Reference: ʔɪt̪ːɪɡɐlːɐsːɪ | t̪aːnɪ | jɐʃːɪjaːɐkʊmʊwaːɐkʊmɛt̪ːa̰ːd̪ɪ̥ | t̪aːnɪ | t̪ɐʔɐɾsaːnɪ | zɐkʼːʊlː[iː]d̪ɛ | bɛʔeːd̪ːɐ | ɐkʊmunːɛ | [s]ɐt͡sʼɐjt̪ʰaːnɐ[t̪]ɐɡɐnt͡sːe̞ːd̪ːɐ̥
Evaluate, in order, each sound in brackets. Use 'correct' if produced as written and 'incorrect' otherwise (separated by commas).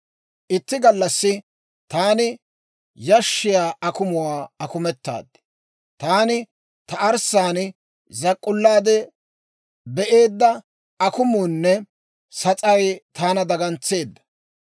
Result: incorrect, correct, incorrect